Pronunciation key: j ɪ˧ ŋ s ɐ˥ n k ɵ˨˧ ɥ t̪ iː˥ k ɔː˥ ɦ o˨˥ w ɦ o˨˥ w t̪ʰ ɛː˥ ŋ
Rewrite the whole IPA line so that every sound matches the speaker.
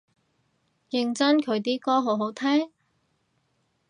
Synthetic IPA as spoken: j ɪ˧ ŋ t͡s ɐ˥ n kʰ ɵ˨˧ ɥ t̪ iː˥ k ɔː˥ ɦ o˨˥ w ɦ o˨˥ w t̪ʰ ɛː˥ ŋ